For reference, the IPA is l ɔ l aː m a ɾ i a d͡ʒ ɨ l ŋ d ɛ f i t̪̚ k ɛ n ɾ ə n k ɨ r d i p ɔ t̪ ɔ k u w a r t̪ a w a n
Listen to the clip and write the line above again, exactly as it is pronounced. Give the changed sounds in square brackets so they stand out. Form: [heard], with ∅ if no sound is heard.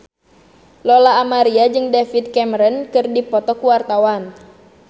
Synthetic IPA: l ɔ l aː m a ɾ i a d͡ʒ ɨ [∅] ŋ d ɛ f i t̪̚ k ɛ [m] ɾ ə n k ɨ r d i p ɔ t̪ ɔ k u w a r t̪ a w a n